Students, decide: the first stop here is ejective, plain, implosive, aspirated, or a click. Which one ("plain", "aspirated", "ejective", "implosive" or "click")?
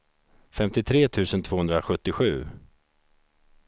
plain